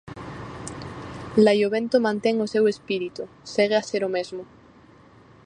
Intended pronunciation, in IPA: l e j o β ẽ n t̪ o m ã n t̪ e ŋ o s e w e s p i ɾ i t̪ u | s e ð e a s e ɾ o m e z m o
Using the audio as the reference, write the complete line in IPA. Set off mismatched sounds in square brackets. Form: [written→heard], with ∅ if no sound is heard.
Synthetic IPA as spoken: l [e→a] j o β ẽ n t̪ o m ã n t̪ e ŋ o s e w e s p i ɾ i t̪ u | s e [ð→ɣ] e a s e ɾ o m e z m o